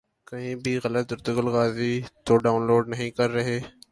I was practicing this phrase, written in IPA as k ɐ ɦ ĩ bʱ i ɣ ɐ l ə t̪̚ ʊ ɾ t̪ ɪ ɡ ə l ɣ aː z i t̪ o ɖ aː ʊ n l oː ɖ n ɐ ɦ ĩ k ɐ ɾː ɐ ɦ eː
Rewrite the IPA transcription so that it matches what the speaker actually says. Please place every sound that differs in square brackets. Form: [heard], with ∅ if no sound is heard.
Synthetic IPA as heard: k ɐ ɦ ĩ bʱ i ɣ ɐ l ə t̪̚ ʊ ɾ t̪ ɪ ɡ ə l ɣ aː z i t̪ o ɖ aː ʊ n l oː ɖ n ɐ ɦ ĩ k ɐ ɾː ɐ ɦ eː